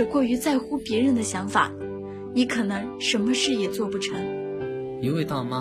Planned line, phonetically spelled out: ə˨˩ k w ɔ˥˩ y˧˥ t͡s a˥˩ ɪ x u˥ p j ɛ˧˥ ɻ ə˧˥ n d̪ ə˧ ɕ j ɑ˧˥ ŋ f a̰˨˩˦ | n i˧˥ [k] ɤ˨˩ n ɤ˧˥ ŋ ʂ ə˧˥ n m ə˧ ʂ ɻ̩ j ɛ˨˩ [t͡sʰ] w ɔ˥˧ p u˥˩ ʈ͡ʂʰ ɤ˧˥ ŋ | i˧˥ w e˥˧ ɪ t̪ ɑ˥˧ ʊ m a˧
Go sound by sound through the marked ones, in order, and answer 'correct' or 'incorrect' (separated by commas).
incorrect, incorrect